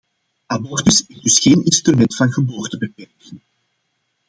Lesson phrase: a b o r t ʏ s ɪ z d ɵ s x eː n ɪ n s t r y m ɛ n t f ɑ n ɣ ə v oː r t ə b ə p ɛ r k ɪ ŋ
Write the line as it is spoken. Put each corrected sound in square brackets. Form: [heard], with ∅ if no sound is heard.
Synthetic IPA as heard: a b [ɔ] r t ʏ s ɪ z d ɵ s x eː n ɪ n s t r y m ɛ n t f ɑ n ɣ ə [b] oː r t ə b ə p ɛ r k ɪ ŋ